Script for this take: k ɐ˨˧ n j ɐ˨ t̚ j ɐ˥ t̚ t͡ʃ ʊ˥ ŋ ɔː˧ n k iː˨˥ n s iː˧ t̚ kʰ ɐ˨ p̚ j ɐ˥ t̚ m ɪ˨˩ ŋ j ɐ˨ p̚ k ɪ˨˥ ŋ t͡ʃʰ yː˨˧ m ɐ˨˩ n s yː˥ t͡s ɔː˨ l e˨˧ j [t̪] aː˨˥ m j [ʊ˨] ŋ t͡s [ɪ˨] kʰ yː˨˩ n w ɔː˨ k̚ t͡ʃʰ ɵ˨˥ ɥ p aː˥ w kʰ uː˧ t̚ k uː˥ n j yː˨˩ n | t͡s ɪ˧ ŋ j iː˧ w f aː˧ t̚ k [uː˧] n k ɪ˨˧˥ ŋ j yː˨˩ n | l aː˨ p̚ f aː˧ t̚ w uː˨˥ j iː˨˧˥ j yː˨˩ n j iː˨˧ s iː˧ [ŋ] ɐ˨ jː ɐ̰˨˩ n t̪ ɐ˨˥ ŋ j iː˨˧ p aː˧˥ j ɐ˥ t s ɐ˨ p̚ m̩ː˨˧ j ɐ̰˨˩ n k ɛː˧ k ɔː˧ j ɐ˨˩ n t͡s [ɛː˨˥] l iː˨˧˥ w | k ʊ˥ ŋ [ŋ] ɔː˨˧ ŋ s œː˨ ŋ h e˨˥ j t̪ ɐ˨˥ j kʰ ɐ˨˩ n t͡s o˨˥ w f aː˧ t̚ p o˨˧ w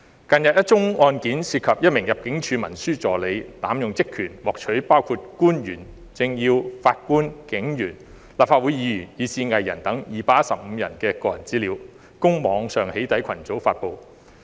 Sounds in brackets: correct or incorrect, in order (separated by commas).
correct, correct, incorrect, incorrect, correct, incorrect, incorrect